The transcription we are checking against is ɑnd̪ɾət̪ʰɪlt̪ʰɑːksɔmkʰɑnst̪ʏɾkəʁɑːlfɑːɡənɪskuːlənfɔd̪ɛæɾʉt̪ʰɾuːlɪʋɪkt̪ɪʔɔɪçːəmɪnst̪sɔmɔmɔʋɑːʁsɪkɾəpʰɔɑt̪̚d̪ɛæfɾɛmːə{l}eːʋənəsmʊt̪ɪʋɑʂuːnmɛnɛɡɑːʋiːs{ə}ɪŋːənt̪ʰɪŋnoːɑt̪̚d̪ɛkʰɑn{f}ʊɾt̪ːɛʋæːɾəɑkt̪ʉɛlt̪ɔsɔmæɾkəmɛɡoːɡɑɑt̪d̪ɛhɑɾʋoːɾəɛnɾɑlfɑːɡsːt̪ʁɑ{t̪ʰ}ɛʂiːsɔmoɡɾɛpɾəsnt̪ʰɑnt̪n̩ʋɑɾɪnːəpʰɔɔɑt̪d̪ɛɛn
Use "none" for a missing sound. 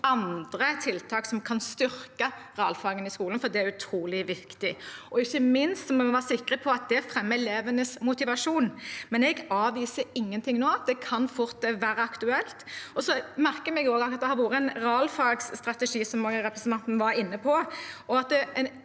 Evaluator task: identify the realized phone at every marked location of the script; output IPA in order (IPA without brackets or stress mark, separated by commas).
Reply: l, ə, f, t̪